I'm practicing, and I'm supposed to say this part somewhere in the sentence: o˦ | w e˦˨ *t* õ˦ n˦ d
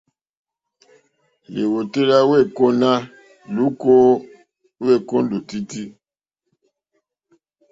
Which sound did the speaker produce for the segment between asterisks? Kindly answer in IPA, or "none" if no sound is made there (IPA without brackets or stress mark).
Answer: k